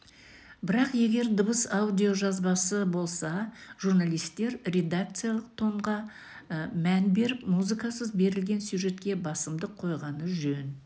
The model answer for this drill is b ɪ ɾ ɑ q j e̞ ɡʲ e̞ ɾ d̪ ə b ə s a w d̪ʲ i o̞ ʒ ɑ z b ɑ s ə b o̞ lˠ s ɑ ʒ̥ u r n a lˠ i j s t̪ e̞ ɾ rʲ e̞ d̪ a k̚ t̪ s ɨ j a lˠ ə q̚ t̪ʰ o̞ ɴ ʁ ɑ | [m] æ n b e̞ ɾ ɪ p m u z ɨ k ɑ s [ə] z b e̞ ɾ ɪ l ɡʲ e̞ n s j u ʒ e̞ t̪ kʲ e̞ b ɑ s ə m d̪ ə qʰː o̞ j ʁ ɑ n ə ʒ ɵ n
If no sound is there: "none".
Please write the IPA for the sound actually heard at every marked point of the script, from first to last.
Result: m, ə

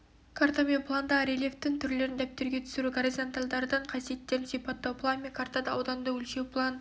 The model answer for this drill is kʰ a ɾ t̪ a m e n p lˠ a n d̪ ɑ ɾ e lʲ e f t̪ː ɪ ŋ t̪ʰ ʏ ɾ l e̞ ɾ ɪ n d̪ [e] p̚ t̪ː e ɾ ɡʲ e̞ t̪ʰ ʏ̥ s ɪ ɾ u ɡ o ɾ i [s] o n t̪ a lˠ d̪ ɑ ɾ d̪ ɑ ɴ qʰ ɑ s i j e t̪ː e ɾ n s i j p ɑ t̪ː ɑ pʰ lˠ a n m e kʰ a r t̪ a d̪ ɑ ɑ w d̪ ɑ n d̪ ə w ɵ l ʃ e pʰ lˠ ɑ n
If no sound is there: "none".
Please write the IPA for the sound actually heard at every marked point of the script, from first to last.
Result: æ, z

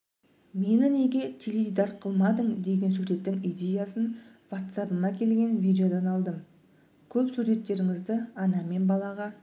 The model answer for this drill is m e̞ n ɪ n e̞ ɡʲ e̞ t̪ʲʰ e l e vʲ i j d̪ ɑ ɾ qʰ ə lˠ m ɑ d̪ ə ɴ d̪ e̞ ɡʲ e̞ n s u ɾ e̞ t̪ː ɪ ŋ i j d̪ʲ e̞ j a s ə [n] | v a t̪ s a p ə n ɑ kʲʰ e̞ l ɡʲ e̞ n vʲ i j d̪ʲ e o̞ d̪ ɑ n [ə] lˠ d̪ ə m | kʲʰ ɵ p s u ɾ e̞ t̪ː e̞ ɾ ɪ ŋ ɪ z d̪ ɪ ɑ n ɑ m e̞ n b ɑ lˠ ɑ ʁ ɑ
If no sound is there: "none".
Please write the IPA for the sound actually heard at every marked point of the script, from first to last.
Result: n, ɑ

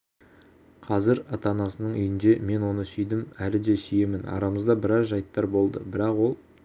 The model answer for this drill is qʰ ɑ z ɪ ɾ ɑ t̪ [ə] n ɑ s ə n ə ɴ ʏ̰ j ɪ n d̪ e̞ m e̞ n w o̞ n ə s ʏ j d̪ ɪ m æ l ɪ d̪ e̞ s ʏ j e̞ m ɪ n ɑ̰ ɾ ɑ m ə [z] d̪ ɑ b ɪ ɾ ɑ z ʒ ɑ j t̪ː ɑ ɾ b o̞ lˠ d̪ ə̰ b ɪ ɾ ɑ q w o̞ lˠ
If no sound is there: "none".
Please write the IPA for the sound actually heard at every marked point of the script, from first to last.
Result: ɑ, z

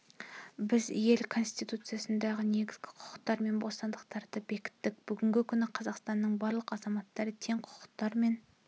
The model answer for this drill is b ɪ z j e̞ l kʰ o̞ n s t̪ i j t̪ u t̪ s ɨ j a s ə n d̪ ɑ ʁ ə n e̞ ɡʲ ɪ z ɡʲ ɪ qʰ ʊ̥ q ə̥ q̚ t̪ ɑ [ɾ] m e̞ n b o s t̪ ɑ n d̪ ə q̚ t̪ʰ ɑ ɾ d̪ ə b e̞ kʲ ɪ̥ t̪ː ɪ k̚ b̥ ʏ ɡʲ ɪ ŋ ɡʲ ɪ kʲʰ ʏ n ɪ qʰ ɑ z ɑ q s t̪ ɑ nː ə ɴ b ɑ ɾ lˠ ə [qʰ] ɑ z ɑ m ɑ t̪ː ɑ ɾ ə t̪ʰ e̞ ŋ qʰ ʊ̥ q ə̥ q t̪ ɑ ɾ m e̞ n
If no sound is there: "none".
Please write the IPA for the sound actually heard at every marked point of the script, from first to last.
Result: ɾ, q

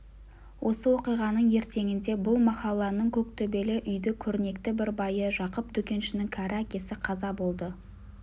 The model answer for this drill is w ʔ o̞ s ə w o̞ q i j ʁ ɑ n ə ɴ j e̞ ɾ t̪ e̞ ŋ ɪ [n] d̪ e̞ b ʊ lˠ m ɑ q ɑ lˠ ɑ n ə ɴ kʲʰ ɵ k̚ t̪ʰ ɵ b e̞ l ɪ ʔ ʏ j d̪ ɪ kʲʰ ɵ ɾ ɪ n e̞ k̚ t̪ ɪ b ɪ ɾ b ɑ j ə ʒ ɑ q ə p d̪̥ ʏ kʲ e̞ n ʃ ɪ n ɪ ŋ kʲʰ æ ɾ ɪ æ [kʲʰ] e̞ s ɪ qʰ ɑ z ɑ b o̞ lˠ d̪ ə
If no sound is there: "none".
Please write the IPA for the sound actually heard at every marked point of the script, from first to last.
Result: n, kʲ

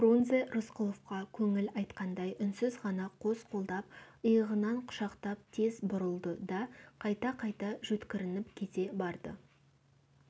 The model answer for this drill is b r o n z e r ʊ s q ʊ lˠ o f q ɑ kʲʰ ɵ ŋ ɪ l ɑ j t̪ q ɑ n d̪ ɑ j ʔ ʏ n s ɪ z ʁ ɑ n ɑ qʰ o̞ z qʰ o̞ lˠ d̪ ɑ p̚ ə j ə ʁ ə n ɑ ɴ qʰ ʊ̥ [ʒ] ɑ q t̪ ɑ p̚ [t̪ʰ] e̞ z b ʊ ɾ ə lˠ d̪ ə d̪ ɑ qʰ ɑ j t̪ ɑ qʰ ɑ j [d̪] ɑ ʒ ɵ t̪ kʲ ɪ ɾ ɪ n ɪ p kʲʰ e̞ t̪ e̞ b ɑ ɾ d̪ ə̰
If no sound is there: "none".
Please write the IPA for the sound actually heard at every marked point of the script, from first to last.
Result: ʃ, t̪ʰ, t̪

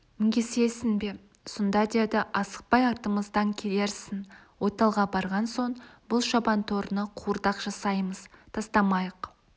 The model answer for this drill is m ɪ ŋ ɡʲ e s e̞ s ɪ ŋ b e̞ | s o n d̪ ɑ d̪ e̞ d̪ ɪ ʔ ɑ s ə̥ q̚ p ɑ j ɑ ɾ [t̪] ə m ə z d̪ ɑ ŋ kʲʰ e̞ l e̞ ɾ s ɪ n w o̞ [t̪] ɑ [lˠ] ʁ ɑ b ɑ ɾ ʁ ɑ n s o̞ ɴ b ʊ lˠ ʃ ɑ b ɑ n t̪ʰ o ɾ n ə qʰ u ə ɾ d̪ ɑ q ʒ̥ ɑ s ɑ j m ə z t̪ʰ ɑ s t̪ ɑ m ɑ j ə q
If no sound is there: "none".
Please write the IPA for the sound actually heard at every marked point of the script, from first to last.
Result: t̪, t̪, lˠ

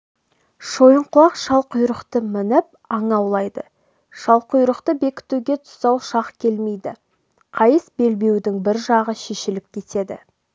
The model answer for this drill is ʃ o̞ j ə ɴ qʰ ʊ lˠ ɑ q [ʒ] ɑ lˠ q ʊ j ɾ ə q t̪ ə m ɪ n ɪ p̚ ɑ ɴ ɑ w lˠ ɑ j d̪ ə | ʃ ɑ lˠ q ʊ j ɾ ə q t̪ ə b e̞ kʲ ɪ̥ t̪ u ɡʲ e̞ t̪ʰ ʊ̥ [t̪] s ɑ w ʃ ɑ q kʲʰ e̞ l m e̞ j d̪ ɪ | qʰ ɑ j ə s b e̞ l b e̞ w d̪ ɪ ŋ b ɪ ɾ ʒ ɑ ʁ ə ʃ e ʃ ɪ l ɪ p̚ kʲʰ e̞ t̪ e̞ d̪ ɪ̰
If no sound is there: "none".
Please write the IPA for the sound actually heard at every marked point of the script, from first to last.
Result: ʃ, none

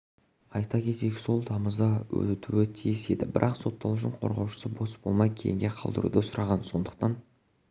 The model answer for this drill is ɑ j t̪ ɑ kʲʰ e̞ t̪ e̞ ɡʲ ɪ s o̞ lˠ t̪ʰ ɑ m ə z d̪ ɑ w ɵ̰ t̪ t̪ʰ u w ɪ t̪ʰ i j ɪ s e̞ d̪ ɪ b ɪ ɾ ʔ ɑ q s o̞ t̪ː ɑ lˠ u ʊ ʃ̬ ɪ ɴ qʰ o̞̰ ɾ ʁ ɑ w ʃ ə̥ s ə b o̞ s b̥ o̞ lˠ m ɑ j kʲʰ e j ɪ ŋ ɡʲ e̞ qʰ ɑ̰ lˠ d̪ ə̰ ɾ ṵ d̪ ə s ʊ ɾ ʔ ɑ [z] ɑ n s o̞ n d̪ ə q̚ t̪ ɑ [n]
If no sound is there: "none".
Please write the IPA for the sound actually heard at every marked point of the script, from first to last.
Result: ʁ, n

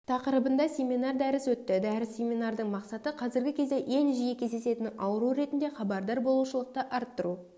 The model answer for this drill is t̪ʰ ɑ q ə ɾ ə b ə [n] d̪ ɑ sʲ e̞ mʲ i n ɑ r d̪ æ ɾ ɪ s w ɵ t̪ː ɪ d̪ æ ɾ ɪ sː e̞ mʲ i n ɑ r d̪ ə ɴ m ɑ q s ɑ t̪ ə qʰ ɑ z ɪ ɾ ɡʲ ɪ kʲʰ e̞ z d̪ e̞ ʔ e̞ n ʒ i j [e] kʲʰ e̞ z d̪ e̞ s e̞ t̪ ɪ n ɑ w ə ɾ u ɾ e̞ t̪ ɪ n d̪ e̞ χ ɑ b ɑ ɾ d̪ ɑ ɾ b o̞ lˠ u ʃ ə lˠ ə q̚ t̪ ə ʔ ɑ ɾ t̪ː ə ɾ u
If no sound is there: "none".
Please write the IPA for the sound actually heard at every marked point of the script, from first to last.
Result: n, e

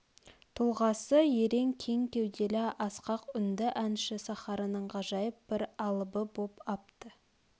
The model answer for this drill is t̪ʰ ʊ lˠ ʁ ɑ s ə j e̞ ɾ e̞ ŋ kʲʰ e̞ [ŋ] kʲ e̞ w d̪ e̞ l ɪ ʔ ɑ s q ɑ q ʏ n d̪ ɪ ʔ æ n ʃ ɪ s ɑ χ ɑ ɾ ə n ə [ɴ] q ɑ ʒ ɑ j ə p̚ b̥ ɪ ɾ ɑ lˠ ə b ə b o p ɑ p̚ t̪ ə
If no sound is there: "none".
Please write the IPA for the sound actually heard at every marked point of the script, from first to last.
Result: ŋ, ɴ

